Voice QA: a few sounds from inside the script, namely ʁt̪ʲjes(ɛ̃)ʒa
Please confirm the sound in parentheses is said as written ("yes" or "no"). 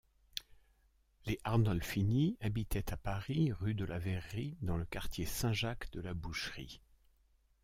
yes